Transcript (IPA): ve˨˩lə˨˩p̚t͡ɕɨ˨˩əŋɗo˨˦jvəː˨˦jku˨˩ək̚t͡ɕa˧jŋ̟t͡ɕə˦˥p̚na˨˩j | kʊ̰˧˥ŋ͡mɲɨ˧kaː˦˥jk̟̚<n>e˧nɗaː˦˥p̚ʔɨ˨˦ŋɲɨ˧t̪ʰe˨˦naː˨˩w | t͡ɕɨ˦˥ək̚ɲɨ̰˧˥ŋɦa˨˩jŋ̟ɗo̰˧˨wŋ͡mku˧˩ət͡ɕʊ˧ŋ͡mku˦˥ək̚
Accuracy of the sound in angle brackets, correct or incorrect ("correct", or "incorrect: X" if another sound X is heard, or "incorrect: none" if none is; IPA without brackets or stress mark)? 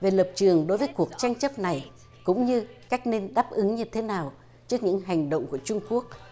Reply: correct